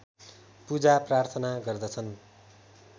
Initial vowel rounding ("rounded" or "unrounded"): rounded